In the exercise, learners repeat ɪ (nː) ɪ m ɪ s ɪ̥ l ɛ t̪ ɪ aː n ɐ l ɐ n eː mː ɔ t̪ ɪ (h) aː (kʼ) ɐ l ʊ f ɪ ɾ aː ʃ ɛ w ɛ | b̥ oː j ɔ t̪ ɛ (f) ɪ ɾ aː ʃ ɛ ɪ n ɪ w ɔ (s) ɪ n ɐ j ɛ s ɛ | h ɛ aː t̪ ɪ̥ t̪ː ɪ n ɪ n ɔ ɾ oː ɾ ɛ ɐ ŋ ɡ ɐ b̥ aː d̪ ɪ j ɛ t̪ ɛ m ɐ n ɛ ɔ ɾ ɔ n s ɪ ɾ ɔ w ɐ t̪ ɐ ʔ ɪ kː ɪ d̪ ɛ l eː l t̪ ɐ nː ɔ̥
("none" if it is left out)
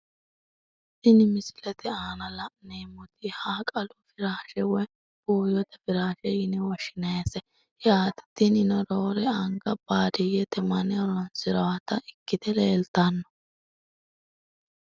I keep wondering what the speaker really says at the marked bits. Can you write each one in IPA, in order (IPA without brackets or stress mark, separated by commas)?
n, h, kʼ, f, ʃ